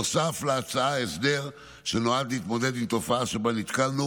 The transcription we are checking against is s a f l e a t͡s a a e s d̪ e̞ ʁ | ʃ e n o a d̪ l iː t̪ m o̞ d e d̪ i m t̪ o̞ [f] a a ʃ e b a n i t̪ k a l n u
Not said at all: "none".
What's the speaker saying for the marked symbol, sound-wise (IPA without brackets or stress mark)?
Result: f